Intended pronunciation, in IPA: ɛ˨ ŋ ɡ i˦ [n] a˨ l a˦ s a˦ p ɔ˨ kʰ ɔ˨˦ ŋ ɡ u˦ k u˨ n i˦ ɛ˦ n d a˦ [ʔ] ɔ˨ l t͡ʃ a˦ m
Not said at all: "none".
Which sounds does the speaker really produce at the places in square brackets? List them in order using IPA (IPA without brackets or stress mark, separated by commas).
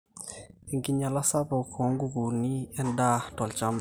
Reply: ɲ, t